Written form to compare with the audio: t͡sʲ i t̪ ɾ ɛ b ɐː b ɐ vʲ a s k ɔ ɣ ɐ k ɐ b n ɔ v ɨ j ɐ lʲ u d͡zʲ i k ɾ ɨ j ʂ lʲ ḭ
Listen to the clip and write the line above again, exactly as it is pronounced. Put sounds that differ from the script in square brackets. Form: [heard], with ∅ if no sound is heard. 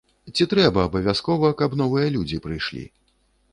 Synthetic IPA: t͡sʲ i t̪ ɾ ɛ b ɐː b ɐ vʲ a s k ɔ [v] ɐ k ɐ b n ɔ v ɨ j ɐ lʲ u d͡zʲ i [p] ɾ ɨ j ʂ lʲ ḭ